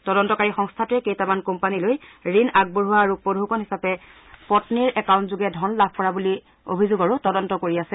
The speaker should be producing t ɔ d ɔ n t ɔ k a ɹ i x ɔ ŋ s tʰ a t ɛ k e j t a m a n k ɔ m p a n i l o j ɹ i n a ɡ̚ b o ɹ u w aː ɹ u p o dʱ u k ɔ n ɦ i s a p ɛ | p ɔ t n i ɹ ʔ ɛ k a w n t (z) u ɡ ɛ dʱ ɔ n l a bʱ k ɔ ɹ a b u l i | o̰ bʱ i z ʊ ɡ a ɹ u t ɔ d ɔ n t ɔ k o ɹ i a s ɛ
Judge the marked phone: correct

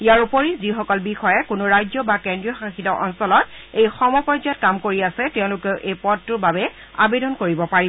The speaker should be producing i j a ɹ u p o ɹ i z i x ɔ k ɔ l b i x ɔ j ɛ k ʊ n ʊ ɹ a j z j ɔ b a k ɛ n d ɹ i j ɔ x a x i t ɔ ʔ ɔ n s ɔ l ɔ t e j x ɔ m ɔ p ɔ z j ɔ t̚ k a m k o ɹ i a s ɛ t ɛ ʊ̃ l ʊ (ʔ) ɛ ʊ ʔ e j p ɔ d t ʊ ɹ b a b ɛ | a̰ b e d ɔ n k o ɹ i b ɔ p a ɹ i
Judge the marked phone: incorrect: k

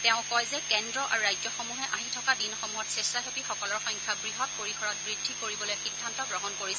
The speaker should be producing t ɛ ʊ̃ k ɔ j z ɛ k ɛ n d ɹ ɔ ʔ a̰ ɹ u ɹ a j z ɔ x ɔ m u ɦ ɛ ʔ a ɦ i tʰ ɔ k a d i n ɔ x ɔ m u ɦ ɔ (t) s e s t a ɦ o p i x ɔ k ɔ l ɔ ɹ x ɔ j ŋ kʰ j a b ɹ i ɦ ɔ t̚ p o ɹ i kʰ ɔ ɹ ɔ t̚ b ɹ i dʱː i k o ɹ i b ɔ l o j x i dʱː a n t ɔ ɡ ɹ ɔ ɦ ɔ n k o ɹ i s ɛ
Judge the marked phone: correct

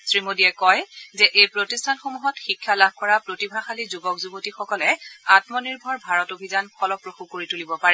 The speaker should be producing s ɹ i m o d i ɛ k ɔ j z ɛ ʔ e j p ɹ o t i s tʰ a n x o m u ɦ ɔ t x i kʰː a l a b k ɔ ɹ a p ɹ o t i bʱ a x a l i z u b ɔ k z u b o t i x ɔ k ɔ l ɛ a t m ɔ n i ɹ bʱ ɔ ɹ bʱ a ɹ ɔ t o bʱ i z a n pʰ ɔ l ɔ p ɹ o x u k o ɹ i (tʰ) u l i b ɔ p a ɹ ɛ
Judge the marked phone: incorrect: t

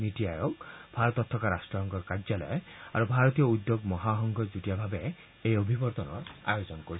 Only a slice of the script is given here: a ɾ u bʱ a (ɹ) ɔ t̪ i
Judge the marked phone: incorrect: ɾ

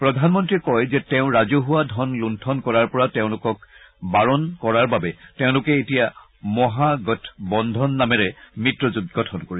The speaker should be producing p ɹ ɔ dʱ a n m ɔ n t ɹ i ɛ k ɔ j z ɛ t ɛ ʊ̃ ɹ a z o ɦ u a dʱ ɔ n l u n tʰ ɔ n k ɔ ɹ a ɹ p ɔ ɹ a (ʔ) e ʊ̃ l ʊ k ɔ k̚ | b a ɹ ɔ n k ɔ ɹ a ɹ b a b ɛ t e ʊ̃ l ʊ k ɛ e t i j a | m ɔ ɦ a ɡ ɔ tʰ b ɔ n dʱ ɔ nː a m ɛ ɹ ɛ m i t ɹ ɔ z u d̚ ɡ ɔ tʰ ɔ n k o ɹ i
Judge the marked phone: incorrect: t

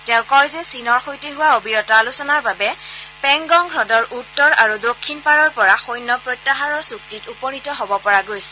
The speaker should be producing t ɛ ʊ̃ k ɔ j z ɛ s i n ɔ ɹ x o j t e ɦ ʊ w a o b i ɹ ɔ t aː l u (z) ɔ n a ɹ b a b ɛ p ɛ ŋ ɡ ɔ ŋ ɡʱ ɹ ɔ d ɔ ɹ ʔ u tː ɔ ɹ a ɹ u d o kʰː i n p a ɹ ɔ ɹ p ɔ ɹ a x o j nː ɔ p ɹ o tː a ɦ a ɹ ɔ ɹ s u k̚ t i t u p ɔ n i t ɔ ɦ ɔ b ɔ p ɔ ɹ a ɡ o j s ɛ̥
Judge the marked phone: incorrect: s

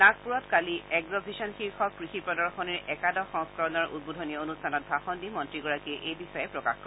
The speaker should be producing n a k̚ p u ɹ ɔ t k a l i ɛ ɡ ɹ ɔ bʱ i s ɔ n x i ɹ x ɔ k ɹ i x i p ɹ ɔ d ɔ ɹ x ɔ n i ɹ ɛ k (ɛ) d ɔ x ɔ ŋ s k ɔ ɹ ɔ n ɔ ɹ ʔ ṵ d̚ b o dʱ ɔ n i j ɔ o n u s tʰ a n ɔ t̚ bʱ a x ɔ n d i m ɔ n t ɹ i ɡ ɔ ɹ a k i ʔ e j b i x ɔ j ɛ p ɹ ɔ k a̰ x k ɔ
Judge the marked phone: incorrect: a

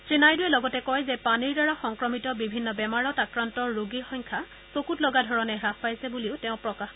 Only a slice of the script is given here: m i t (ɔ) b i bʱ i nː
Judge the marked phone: correct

